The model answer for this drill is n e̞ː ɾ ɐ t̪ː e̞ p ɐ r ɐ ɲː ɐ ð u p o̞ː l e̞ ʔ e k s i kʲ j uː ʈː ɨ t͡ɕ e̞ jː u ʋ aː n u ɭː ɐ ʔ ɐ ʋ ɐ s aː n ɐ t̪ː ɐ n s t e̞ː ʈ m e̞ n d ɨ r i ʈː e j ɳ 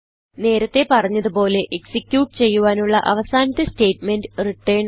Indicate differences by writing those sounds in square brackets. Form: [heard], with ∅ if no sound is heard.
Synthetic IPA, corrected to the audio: n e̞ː ɾ ɐ t̪ː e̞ p ɐ r ɐ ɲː ɐ ð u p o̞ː l e̞ ʔ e k s i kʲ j uː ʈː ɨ t͡ɕ e̞ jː u ʋ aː n u ɭː ɐ ʔ ɐ ʋ ɐ s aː n ɐ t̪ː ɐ [∅] s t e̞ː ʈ m e̞ n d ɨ r i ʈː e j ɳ

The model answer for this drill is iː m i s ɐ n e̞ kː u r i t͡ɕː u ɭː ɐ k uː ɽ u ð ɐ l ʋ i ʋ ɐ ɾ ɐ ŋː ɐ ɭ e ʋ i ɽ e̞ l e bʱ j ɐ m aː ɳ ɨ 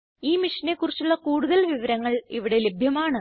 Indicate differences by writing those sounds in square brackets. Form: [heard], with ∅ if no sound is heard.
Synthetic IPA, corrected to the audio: iː m i [ʂ] ɐ n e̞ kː u r i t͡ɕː u ɭː ɐ k uː ɽ u ð ɐ l ʋ i ʋ ɐ ɾ ɐ ŋː ɐ ɭ [i] ʋ i ɽ e̞ l e bʱ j ɐ m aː ɳ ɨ

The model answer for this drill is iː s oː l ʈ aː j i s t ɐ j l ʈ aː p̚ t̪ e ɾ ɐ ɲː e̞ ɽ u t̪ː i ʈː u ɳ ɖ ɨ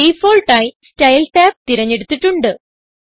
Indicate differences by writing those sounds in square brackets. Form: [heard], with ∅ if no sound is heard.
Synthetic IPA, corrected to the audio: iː [f] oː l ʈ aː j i s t ɐ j l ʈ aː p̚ t̪ [i] ɾ ɐ ɲː e̞ ɽ u t̪ː i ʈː u ɳ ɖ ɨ

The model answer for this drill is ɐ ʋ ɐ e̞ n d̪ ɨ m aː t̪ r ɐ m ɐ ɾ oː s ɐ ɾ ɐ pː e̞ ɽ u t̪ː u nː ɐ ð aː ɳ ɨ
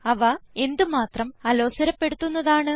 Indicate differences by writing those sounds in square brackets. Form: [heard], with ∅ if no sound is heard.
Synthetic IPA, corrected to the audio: ɐ ʋ ɐ e̞ n d̪ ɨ m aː t̪ r ɐ m ɐ [l] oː s ɐ ɾ ɐ pː e̞ ɽ u t̪ː u nː ɐ ð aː ɳ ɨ

